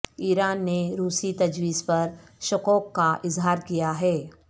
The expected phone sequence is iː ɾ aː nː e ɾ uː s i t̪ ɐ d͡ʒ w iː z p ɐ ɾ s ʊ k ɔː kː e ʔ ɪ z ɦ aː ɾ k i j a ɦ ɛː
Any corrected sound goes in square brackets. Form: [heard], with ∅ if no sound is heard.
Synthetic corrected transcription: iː ɾ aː nː e ɾ uː s i t̪ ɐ d͡ʒ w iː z p ɐ ɾ [ʃ] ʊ k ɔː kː [a] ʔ ɪ z ɦ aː ɾ k i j a ɦ ɛː